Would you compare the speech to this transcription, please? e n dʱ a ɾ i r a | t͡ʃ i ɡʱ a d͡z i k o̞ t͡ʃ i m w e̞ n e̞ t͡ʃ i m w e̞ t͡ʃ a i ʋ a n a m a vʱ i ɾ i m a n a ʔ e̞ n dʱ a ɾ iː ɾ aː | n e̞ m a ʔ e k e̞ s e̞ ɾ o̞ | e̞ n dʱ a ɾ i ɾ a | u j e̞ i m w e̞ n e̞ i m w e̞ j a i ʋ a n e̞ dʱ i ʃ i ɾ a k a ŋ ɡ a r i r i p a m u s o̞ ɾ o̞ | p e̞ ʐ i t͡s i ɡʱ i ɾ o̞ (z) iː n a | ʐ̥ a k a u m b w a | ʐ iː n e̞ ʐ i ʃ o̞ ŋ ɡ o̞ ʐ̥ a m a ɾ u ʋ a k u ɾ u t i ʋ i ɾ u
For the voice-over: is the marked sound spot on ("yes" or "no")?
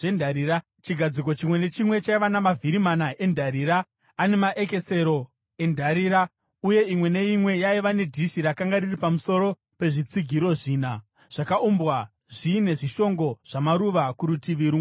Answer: no